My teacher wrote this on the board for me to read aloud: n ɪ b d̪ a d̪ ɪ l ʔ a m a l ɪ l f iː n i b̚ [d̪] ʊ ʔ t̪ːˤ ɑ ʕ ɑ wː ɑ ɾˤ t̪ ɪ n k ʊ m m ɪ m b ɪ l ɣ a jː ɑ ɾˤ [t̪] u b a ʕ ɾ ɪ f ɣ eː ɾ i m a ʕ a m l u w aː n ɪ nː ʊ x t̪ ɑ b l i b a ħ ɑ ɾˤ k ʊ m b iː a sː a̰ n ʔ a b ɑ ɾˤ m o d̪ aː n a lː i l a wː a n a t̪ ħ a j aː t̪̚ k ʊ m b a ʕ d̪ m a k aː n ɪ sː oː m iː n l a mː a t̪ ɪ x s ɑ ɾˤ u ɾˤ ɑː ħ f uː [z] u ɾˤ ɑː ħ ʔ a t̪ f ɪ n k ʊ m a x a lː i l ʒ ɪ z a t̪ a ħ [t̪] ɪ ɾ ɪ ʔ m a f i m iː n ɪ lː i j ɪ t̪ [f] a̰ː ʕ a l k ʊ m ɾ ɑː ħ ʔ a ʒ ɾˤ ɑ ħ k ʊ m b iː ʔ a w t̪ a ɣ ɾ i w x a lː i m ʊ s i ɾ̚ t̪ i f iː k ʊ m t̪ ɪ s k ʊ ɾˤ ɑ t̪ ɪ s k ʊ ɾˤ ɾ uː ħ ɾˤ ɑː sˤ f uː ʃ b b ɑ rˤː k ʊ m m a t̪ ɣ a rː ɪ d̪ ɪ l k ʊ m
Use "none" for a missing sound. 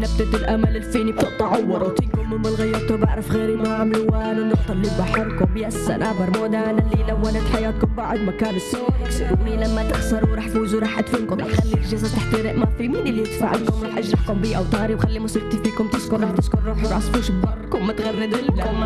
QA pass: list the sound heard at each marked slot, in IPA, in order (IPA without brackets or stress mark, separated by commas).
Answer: t̪, t̪, z, t̪, f